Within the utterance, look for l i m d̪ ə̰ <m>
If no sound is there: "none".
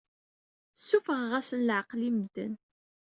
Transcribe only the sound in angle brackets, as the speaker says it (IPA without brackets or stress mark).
n